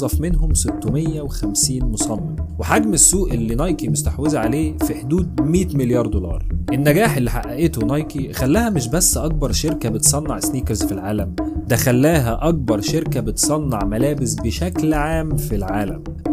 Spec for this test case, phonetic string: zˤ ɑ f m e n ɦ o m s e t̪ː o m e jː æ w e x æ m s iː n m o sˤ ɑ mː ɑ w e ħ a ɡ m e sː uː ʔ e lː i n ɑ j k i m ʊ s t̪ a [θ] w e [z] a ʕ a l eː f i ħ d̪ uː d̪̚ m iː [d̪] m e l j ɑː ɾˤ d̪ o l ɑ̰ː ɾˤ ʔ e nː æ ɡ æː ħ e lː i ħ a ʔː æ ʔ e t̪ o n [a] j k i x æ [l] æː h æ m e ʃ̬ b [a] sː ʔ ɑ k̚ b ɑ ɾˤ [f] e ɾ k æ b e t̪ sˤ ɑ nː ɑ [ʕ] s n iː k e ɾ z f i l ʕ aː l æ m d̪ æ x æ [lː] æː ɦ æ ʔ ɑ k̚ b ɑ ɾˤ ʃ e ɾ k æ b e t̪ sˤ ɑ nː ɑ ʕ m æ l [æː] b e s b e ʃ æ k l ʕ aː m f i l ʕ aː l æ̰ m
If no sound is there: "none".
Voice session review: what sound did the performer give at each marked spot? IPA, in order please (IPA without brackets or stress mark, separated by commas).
ħ, z, t̪, ɑ, lː, æ, ʃ, ʕ, lː, æː